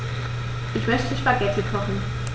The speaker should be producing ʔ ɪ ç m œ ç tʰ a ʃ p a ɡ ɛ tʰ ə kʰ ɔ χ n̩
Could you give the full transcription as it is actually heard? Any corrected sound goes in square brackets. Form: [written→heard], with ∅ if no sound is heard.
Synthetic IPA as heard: ʔ ɪ ç m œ ç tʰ [a→ə] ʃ p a ɡ ɛ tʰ ə kʰ ɔ χ n̩